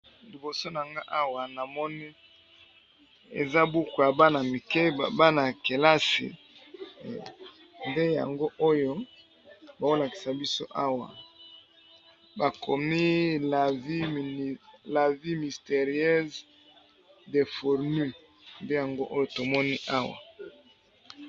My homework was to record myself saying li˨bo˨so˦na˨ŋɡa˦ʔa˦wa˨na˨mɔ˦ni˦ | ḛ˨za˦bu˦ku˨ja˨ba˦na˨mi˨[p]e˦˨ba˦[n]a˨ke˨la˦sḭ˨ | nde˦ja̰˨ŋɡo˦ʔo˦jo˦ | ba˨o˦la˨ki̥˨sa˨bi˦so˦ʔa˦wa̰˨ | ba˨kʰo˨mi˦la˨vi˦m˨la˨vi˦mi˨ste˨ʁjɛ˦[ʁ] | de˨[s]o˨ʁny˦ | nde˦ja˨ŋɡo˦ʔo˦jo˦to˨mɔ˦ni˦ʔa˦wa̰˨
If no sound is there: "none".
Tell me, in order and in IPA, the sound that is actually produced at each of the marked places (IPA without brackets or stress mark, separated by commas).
k, n, z, f